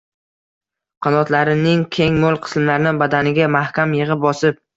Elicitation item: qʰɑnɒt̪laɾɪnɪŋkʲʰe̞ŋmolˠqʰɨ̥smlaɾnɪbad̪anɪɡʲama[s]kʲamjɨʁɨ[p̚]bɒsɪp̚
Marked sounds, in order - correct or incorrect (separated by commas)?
incorrect, correct